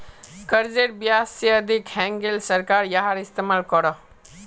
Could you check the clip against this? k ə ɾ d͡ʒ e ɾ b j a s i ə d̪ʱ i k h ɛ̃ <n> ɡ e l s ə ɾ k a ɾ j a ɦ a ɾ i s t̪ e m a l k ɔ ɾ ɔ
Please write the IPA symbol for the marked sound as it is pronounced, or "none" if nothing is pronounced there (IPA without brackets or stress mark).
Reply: ŋ